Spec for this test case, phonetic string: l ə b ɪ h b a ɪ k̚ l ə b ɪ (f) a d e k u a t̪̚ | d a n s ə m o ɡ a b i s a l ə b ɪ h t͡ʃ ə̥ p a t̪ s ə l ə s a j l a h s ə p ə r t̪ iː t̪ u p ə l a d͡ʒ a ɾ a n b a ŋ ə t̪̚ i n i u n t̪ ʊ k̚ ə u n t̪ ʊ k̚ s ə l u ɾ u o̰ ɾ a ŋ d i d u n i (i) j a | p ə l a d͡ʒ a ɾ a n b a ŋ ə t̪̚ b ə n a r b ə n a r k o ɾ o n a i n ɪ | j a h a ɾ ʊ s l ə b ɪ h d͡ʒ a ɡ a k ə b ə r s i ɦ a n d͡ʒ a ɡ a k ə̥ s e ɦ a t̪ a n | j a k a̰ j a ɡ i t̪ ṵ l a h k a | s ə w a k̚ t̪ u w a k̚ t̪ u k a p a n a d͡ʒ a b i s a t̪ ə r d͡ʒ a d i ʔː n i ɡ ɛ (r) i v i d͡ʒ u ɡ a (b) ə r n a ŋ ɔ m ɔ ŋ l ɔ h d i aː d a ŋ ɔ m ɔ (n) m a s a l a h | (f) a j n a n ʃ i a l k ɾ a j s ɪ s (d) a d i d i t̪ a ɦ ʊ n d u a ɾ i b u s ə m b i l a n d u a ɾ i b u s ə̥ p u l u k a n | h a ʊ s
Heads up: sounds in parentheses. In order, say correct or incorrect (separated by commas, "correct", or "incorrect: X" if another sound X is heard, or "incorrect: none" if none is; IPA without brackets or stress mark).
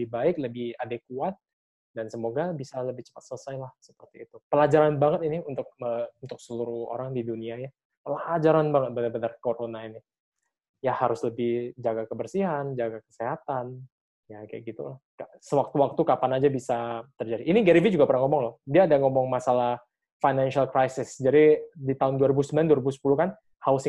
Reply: incorrect: h, incorrect: a, incorrect: ɾ, incorrect: p, incorrect: ŋ, correct, incorrect: d͡ʒ